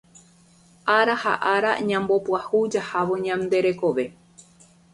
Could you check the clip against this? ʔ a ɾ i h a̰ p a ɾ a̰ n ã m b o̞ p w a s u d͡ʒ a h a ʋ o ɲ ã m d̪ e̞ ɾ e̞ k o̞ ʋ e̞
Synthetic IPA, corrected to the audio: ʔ a ɾ a h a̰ ʔ a ɾ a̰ ɲ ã m b o̞ p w a h u d͡ʒ a h a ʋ o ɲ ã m d̪ e̞ ɾ e̞ k o̞ ʋ e̞